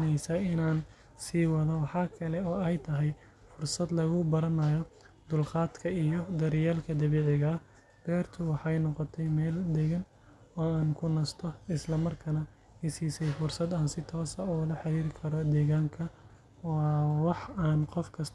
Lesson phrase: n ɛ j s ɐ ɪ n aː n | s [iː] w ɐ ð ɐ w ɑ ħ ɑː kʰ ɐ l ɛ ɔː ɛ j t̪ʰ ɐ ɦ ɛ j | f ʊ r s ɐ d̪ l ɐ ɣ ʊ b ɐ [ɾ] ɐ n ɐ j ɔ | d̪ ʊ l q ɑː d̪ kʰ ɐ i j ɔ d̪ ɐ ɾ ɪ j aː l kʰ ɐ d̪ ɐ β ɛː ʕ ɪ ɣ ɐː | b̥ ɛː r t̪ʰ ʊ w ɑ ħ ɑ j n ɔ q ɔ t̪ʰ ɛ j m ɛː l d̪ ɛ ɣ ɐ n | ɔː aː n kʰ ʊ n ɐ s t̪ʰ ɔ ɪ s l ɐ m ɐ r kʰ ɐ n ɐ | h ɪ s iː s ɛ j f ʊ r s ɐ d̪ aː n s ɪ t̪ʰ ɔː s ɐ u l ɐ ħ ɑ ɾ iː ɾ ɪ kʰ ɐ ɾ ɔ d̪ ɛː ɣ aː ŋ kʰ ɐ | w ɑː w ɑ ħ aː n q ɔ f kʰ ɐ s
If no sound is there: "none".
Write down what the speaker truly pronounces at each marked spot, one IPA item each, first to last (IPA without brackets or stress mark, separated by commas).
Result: iː, ɾ